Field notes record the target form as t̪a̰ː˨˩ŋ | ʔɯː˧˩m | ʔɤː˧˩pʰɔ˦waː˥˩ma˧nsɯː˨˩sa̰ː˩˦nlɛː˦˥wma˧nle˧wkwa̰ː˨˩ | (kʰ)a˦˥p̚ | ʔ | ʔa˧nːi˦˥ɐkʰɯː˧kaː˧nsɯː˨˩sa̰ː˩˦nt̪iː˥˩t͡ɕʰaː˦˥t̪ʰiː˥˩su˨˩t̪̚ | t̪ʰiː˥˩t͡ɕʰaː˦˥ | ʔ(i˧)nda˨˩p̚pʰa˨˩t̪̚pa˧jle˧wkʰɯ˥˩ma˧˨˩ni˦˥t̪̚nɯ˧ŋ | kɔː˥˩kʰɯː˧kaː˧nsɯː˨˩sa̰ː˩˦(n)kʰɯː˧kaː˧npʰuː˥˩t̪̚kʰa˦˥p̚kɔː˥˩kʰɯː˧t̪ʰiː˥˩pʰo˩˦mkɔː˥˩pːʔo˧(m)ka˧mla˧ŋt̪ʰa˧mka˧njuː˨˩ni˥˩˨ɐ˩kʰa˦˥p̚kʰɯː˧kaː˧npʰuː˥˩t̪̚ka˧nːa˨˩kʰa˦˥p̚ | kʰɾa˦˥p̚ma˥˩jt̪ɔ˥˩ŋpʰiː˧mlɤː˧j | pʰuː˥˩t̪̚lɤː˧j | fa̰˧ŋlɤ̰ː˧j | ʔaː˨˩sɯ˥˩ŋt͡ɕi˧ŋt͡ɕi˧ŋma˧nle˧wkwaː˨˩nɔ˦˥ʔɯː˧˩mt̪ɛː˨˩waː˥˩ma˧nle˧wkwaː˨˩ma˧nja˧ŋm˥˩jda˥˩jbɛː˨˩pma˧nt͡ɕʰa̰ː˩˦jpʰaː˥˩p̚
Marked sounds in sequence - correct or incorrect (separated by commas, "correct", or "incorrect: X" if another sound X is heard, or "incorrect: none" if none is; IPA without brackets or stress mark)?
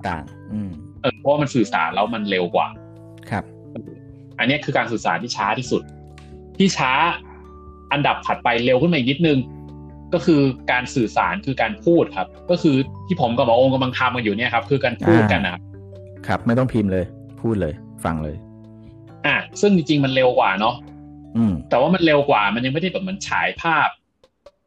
correct, incorrect: a˧, correct, incorrect: ŋ